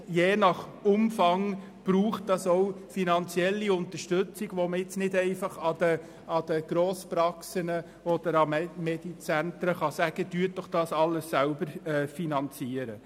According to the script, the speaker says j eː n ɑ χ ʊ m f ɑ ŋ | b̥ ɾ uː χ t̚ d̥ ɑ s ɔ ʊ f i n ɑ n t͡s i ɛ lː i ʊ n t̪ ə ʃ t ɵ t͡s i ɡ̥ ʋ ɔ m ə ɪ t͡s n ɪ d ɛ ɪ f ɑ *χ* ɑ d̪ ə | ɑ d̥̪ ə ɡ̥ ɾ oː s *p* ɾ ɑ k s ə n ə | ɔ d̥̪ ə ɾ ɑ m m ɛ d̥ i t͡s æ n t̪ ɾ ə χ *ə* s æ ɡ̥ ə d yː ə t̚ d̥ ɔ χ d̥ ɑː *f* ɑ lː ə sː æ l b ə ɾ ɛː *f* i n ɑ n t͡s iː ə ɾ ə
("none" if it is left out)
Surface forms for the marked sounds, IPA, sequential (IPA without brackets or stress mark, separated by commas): χ, p, ɑ, s, f